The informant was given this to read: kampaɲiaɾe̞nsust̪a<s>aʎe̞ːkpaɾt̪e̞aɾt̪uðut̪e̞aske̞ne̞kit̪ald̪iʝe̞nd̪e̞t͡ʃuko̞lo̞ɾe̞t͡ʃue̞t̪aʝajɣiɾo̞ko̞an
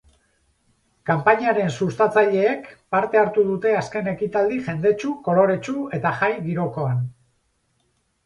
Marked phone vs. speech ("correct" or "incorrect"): incorrect